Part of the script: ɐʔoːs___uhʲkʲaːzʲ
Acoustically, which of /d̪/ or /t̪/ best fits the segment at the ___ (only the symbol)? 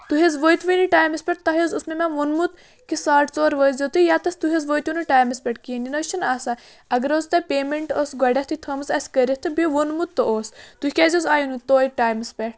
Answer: t̪